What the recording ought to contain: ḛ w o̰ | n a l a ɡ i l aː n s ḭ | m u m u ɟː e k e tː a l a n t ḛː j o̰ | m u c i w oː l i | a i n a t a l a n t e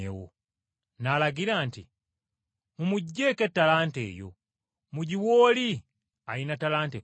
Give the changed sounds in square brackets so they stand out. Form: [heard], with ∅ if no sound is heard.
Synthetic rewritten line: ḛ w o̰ | n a l a ɡ i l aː n [t] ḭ | m u m u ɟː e k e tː a l a n t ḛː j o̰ | m u [ɟ] i w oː l i | a i n a t a l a n t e